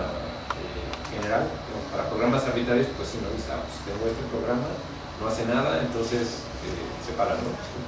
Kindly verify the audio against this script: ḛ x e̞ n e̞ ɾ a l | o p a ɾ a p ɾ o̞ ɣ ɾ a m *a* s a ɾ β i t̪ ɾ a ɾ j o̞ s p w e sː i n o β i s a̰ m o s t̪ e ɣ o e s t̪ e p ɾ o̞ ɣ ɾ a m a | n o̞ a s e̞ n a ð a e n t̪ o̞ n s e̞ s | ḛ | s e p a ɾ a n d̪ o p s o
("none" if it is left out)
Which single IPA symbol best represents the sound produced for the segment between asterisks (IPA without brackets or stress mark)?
a